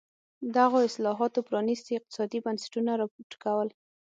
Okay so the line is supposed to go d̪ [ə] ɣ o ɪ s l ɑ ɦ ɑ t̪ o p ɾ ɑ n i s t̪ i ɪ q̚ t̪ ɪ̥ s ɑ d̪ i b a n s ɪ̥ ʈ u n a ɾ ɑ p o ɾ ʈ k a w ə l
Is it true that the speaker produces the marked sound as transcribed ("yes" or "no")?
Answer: no